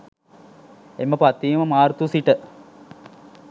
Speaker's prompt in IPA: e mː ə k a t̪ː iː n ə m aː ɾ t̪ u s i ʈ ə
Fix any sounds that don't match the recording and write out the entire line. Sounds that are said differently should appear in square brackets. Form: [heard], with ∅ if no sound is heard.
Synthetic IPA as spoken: e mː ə [p] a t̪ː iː [m] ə m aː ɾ t̪ u s i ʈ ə